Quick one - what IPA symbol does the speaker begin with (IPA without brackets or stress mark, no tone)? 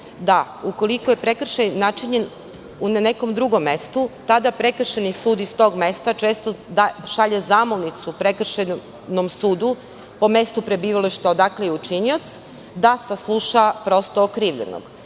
d̪